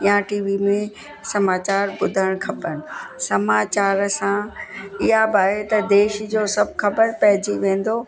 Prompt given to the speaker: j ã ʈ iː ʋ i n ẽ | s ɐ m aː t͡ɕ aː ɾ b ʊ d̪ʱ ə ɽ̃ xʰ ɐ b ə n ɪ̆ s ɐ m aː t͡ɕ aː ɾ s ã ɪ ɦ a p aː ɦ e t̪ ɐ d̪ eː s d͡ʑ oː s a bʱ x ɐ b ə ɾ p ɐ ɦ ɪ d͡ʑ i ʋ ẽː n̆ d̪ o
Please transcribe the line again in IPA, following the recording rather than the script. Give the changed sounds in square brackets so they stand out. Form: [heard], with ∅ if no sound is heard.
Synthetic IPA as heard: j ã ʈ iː ʋ i [m] ẽ | s ɐ m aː t͡ɕ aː ɾ b ʊ d̪ʱ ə ɽ̃ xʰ ɐ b ə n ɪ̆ s ɐ m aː t͡ɕ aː ɾ s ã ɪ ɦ a [b] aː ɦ e t̪ ɐ d̪ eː [ʃ] d͡ʑ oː s [ɐ] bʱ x ɐ b ə ɾ p ɐ ɦ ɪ d͡ʑ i ʋ ẽː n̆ d̪ o